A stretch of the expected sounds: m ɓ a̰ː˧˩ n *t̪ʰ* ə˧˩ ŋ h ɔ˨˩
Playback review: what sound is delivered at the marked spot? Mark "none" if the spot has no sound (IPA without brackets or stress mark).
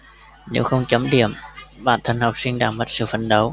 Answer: t̪ʰ